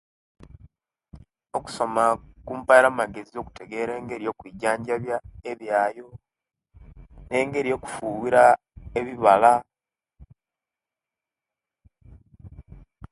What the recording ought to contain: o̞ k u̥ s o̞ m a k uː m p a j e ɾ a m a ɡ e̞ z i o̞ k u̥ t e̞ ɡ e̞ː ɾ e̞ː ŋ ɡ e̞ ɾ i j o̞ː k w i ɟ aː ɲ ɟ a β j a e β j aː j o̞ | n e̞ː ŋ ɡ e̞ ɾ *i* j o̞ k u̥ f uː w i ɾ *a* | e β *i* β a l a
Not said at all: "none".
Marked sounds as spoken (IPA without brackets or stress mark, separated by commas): i, a, i